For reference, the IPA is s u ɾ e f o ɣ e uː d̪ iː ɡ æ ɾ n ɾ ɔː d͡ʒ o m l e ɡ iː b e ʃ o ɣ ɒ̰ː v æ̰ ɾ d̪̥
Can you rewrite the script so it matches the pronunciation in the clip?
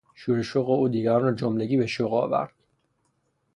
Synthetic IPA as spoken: ʃ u ɾ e ʃ o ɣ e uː d̪ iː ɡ æ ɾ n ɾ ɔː d͡ʒ o m l e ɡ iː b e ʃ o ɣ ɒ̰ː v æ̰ ɾ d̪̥